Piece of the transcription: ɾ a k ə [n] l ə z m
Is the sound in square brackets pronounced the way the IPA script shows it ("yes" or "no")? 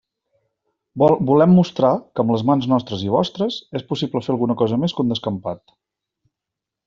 no